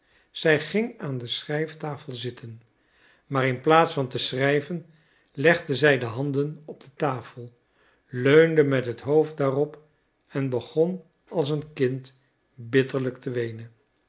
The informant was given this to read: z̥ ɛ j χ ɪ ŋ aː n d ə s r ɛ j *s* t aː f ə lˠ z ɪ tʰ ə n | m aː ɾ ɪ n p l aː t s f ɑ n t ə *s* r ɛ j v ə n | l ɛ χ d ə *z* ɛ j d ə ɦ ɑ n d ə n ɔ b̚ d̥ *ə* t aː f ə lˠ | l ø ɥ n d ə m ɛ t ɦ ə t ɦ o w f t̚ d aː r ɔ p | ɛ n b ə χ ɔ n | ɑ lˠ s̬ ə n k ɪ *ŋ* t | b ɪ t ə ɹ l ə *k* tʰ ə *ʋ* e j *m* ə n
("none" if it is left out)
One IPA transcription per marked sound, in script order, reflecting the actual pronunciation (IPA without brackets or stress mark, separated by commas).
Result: f, s, z, ə, n, k, ʋ, n